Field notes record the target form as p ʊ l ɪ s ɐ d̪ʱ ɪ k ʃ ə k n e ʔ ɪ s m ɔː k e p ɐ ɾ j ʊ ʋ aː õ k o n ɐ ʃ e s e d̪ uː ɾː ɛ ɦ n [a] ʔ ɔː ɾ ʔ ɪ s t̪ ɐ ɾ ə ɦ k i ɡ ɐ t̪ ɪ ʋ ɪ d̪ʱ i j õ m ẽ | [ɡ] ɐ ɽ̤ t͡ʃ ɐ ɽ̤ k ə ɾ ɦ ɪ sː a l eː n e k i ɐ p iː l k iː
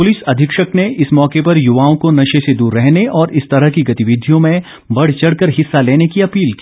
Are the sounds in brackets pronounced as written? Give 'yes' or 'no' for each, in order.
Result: no, no

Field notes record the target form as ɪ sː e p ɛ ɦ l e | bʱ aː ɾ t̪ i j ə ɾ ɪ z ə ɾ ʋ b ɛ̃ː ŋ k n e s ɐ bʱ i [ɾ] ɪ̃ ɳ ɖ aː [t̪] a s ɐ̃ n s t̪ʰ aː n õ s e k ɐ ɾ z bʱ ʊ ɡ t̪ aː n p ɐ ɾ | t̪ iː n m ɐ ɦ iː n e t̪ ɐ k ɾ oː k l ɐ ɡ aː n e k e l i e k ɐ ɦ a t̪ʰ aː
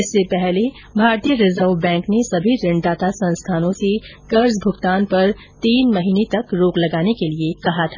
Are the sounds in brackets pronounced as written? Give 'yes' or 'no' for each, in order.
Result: yes, yes

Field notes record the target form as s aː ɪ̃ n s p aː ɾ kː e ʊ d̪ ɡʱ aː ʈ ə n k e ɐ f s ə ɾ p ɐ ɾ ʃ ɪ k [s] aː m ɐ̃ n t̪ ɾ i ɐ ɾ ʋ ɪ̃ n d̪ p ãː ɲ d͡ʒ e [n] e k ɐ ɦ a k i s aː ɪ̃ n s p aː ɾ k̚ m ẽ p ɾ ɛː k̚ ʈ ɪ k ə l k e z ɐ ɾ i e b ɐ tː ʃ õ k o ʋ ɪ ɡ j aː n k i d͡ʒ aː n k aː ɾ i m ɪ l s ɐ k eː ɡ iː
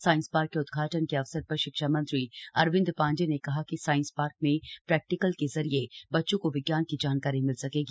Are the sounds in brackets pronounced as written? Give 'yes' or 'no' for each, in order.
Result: no, yes

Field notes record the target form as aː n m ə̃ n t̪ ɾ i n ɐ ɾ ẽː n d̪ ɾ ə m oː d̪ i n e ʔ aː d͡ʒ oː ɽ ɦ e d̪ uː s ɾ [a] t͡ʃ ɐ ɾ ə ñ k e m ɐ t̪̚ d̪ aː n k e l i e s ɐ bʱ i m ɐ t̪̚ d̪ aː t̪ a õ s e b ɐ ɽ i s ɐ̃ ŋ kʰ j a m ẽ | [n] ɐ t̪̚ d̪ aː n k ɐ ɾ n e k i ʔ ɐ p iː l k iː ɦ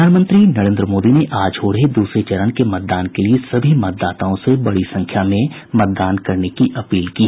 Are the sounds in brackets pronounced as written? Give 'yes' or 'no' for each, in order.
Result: no, no

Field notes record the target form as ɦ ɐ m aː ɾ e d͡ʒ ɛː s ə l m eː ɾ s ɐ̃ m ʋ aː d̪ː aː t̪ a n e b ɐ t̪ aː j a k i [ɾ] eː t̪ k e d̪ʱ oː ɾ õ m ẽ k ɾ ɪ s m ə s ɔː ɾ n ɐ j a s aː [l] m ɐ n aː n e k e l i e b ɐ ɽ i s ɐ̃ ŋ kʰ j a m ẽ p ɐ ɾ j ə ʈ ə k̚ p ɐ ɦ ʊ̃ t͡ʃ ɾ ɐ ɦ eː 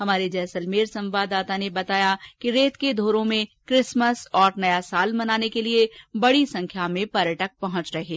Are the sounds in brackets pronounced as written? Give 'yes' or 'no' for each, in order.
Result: yes, yes

